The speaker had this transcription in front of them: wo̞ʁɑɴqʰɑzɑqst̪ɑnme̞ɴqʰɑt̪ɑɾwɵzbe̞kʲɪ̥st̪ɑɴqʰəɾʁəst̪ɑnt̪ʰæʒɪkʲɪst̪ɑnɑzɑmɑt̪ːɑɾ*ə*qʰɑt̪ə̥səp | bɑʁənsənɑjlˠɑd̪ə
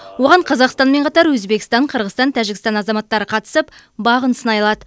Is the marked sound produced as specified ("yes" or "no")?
yes